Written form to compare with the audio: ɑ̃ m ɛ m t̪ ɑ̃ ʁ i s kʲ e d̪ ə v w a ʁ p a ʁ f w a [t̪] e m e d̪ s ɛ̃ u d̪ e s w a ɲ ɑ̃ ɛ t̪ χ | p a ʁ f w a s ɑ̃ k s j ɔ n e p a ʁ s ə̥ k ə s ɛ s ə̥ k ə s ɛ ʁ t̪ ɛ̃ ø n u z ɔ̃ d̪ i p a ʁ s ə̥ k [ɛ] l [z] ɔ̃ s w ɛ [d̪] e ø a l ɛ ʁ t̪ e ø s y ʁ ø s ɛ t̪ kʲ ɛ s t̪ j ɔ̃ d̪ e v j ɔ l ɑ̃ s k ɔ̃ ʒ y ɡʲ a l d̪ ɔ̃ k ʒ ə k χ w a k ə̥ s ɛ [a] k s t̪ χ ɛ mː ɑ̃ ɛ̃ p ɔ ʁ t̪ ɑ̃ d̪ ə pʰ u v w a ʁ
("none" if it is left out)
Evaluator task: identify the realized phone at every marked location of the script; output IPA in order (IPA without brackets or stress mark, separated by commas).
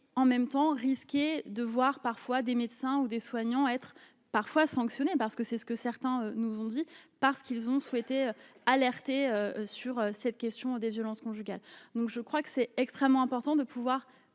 d̪, i, z, t̪, ɛ